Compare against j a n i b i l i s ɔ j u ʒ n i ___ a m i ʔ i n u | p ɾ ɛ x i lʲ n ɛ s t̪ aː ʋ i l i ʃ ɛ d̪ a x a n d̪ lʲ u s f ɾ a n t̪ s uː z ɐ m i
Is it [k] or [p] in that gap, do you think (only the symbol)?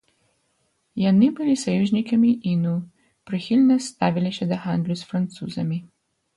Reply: k